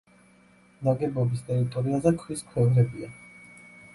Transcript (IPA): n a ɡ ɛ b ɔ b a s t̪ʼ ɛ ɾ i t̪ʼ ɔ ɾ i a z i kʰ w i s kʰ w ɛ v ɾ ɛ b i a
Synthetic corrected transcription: n a ɡ ɛ b ɔ b i s t̪ʼ ɛ ɾ i t̪ʼ ɔ ɾ i a z ɛ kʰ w i s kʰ w ɛ v ɾ ɛ b i a